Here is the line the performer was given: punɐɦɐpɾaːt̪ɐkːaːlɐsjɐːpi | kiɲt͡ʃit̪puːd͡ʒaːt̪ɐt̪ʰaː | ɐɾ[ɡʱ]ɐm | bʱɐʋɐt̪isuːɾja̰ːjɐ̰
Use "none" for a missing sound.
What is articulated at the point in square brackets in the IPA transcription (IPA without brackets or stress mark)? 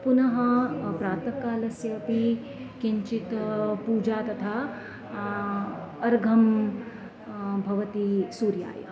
ɡʱ